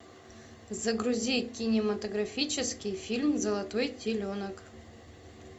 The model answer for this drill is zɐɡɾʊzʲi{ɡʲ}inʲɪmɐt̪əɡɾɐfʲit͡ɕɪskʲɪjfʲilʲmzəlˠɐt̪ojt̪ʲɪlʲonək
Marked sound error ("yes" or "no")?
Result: yes